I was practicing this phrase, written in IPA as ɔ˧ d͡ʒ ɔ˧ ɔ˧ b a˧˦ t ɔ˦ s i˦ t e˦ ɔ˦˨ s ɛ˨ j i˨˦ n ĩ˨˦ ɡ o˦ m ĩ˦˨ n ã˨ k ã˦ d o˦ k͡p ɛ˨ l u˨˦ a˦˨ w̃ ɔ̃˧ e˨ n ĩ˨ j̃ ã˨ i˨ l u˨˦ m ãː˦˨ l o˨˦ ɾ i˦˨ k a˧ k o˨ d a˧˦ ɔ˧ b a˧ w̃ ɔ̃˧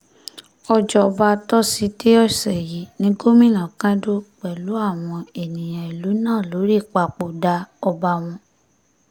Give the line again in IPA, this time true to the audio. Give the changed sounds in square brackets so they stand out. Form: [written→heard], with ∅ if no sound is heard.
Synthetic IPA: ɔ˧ d͡ʒ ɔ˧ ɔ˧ b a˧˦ t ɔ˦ s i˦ t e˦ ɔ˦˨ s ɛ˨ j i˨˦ n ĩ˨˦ ɡ o˦ m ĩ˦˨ n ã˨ k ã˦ d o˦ k͡p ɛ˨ l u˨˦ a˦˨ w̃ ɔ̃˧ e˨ n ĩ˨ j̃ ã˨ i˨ l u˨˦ [m→n] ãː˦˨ l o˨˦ ɾ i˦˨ [k→k͡p] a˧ [k→k͡p] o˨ d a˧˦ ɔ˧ b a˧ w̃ ɔ̃˧